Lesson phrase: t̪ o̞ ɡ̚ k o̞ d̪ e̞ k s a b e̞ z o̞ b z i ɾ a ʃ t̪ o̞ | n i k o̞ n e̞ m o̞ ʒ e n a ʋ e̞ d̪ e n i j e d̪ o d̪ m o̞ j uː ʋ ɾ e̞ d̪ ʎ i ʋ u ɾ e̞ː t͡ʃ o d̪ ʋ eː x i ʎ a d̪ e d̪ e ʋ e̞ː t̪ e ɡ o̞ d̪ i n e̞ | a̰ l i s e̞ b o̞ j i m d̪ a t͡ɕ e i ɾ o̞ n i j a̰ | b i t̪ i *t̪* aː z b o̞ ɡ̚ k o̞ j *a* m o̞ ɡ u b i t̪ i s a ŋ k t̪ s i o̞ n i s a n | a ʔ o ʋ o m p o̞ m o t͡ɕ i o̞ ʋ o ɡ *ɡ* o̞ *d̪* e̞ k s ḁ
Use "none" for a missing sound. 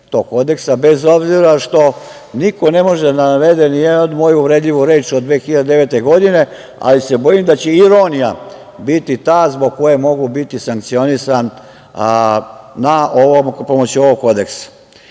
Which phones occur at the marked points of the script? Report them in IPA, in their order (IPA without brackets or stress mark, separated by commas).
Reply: t̪, e, k, d̪